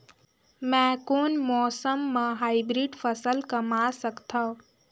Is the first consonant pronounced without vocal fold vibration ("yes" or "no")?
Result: no